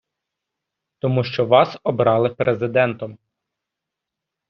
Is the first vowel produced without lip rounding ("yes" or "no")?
no